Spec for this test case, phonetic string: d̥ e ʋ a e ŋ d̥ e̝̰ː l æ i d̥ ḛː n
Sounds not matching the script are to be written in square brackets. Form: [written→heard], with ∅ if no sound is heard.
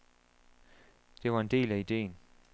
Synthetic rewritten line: d̥ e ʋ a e [ŋ→n] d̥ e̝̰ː l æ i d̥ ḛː n